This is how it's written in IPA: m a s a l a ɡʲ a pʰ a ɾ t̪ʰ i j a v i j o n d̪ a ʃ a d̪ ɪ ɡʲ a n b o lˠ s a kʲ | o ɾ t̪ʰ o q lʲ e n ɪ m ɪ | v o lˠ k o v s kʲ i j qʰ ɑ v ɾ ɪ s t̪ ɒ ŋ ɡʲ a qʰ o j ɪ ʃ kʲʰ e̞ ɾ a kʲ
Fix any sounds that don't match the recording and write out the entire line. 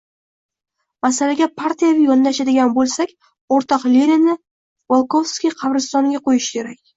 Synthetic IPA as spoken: m a s a l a ɡʲ a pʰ a ɾ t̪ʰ i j a v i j ɒ n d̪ a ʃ a d̪ ɪ ɡʲ a n b o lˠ s a kʲ | o ɾ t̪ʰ ɒ q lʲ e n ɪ n ɪ | v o lˠ k o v s kʲ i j qʰ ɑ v ɾ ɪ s t̪ ɒ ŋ ɡʲ a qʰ o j ɪ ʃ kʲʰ e̞ ɾ a kʲ

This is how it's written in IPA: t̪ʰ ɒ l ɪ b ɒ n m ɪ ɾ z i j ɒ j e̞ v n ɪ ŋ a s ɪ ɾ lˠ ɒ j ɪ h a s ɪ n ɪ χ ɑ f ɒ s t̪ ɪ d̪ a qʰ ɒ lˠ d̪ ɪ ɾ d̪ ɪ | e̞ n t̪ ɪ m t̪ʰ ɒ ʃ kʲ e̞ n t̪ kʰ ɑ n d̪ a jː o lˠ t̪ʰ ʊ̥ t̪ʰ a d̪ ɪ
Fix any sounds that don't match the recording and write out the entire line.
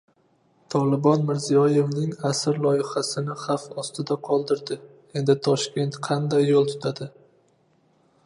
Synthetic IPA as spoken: t̪ʰ ɒ l ɪ b ɒ n m ɪ ɾ z i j ɒ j e̞ v n ɪ ŋ a s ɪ ɾ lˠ ɒ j ɪ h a s ɪ n ɪ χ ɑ f ɒ s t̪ ɪ d̪ a qʰ ɒ lˠ d̪ ɪ ɾ d̪ ɪ | e̞ n d̪ ɪ t̪ʰ ɒ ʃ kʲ e̞ n t̪ qʰ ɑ n d̪ a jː o lˠ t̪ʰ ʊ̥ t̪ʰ a d̪ ɪ

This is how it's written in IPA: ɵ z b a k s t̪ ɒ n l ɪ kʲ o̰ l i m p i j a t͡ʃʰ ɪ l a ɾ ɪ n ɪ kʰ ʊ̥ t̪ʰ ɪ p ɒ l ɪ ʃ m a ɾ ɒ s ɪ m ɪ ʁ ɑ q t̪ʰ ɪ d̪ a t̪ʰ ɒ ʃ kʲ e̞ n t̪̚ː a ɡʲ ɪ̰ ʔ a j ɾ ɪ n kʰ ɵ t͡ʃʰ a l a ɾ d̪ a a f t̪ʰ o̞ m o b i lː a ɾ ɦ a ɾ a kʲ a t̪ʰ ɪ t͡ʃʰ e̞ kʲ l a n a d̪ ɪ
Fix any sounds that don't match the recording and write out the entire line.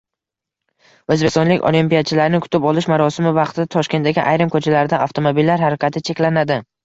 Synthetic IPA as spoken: ɵ z b e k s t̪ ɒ n l ɪ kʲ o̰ l i m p i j a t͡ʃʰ ɪ l a ɾ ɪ n ɪ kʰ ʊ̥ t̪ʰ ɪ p ɒ l ɪ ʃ m a ɾ ɒ s ɪ m ɪ v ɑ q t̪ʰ ɪ d̪ a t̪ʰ ɒ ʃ kʲ e̞ n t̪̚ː a ɡʲ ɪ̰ ʔ a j ɾ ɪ m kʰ ɵ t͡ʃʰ a l a ɾ d̪ a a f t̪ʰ o̞ m o b i lː a ɾ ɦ a ɾ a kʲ a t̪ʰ ɪ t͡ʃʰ e̞ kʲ l a n a d̪ ɪ

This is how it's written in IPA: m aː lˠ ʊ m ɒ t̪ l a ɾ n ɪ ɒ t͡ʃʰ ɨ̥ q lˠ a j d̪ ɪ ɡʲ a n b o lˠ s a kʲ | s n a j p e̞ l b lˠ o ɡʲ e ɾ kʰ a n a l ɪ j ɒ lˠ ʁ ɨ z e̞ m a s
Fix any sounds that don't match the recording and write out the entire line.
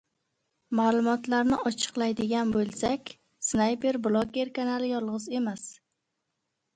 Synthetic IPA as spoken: m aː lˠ ʊ m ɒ t̪ l a ɾ n ɪ ɒ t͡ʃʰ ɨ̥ q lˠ a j d̪ ɪ ɡʲ a n b o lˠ s a kʲ | s n a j p e̞ ɾ b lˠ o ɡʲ e ɾ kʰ a n a l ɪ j ɒ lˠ ʁ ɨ z e̞ m a s

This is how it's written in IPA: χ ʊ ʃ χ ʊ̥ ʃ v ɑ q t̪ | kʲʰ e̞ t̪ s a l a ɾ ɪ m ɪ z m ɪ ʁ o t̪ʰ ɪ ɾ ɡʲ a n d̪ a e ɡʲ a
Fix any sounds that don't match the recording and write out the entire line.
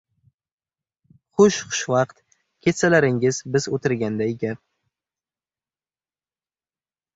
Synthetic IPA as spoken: χ ʊ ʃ χ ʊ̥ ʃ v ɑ q t̪ | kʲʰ e̞ t̪ s a l a ɾ ɪ ŋ ɪ z b ɪ z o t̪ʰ ɪ ɾ ɡʲ a n d̪ a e ɡʲ a

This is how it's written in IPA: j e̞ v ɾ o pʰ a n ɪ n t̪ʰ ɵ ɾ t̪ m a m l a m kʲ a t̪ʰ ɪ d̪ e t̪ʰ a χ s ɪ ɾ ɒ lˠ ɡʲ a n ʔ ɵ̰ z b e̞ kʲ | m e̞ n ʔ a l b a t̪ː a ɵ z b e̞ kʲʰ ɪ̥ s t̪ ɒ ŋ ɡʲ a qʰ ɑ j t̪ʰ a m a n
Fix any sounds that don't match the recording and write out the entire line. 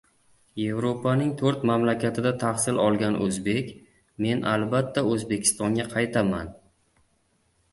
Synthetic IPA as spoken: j e̞ v ɾ o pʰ a n ɪ ŋ t̪ʰ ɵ ɾ t̪ m a m l a kʲ a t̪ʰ ɪ d̪ a t̪ʰ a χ s ɪ l ɒ lˠ ɡʲ a n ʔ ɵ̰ z b e̞ kʲ | m e̞ n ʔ a l b a t̪ː a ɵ z b e̞ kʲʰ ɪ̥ s t̪ ɒ ŋ ɡʲ a qʰ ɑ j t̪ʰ a m a n

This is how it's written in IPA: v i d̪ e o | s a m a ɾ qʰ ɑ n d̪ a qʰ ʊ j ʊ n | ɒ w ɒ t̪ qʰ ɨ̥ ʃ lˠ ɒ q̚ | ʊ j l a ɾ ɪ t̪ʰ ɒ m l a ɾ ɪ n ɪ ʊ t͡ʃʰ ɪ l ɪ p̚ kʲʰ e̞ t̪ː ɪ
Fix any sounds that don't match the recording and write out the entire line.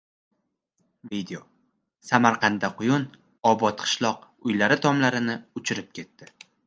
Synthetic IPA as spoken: v i d̪ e o | s a m a ɾ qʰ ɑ n d̪ a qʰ ʊ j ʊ n | ɒ b ɒ t̪ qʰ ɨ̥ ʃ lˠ ɒ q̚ | ʊ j l a ɾ ɪ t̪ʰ ɒ m l a ɾ ɪ n ɪ ʊ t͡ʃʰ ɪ ɾ ɪ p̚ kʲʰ e̞ t̪ː ɪ

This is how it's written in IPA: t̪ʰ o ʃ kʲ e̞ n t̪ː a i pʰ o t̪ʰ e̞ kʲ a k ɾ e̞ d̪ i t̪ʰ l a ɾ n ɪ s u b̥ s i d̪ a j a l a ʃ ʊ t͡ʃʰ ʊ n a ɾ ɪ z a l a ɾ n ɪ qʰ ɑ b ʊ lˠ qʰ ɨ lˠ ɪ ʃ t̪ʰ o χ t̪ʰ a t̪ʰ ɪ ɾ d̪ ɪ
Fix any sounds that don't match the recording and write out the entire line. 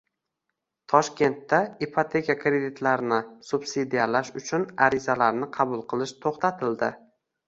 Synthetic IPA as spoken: t̪ʰ ɒ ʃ kʲ e̞ n t̪ː a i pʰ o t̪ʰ e̞ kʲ a k ɾ e̞ d̪ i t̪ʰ l a ɾ n ɪ s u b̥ s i d̪ i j a l a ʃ ʊ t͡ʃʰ ʊ n a ɾ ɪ z a l a ɾ n ɪ qʰ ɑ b ʊ lˠ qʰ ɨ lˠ ɪ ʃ t̪ʰ o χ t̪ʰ a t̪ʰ ɪ l d̪ ɪ

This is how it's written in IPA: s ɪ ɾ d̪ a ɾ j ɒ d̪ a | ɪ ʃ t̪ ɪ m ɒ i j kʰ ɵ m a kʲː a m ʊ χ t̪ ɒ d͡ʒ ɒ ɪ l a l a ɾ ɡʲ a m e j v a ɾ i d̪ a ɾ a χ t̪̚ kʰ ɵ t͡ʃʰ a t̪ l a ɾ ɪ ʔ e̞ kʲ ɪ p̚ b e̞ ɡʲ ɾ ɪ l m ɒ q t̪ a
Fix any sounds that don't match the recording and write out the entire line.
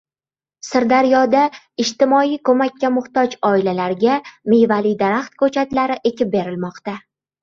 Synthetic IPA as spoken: s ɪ ɾ d̪ a ɾ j ɒ d̪ a | ɪ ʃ t̪ ɪ m ɒ i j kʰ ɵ m a kʲː a m ʊ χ t̪ ɒ d͡ʒ ɒ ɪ l a l a ɾ ɡʲ a m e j v a l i d̪ a ɾ a χ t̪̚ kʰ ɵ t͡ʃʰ a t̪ l a ɾ ɪ ʔ e̞ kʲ ɪ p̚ b e̞ ɾ ɪ l m ɒ q t̪ a

